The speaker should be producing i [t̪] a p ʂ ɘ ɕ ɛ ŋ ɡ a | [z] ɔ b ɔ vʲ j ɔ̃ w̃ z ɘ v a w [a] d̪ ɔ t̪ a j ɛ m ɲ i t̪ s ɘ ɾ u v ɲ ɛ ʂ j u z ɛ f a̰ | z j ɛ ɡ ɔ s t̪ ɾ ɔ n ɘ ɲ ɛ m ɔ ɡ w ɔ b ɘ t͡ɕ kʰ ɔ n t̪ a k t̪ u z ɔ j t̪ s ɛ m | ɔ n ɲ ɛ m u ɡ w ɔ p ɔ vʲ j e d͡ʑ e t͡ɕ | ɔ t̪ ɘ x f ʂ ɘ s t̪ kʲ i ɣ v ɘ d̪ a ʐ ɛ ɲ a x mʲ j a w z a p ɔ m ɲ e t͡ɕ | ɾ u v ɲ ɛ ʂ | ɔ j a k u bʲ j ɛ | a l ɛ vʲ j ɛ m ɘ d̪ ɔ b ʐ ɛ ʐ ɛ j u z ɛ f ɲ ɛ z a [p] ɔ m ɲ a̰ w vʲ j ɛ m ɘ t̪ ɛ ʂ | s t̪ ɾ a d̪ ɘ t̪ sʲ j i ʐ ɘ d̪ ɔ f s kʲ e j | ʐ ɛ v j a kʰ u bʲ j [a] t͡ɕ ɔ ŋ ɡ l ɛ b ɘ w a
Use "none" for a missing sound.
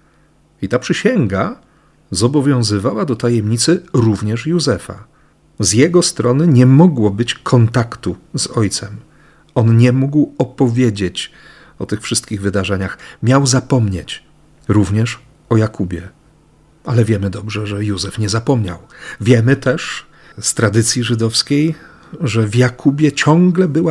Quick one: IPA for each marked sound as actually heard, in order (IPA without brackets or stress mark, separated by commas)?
t̪, z, a, p, ɛ